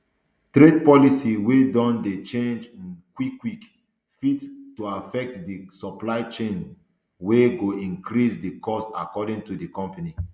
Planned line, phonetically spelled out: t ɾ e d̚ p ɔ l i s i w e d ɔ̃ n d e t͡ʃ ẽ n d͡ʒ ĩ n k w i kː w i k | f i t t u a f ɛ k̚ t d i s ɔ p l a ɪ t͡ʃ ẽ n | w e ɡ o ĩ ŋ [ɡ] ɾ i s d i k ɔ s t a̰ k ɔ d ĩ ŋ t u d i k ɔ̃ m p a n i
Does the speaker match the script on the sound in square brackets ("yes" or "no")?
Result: no